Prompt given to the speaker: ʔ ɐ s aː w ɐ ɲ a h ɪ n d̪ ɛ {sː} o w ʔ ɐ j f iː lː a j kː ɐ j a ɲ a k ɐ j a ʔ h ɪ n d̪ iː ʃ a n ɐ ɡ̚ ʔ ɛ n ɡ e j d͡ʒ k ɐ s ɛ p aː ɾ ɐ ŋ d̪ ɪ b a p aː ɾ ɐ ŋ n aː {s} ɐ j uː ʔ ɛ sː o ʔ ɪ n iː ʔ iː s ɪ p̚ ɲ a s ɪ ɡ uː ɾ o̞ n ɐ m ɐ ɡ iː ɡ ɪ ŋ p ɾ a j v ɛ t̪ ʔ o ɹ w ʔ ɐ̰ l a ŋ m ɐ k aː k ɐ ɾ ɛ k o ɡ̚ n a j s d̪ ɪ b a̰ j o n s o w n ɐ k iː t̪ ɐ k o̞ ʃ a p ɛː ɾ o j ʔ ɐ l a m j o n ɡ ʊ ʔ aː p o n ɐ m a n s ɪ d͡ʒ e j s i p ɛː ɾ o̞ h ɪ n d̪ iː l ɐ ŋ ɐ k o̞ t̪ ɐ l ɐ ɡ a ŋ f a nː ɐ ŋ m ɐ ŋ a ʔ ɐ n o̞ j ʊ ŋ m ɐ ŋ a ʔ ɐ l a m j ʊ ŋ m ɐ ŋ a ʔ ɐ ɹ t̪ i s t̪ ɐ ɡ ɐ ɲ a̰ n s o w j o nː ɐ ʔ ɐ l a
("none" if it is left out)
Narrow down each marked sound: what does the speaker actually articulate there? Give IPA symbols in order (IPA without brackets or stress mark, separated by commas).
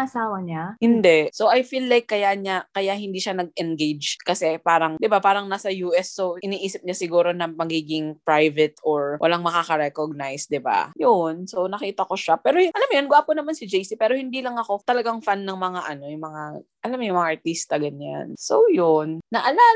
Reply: s, s